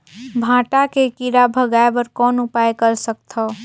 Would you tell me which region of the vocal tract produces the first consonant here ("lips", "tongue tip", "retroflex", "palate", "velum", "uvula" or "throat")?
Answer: lips